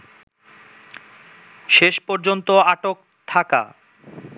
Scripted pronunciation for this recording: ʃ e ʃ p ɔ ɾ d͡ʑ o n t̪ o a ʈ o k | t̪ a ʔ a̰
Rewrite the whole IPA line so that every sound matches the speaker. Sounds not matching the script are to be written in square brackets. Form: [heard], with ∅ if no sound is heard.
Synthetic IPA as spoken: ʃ e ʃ p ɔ ɾ d͡ʑ o n t̪ o a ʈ o k | [t̪ʰ] a [k] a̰